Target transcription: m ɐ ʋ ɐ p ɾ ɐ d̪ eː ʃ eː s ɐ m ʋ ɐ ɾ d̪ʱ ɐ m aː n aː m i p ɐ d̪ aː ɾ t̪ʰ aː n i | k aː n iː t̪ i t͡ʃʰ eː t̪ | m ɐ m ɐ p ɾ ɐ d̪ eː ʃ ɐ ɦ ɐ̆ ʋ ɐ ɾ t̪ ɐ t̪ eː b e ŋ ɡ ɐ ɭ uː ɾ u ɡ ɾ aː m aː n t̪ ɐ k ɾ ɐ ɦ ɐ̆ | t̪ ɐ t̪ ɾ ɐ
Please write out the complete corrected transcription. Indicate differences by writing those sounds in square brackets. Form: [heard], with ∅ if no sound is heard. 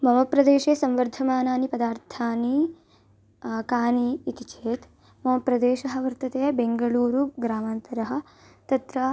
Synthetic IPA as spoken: m ɐ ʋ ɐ p ɾ ɐ d̪ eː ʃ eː s ɐ m ʋ ɐ ɾ d̪ʱ ɐ m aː n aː [n] i p ɐ d̪ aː ɾ t̪ʰ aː n i | k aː n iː t̪ i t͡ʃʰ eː t̪ | m ɐ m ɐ p ɾ ɐ d̪ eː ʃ ɐ ɦ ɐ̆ ʋ ɐ ɾ t̪ ɐ t̪ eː b e ŋ ɡ ɐ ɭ uː ɾ u ɡ ɾ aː m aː n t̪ ɐ [∅] ɾ ɐ ɦ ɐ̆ | t̪ ɐ t̪ ɾ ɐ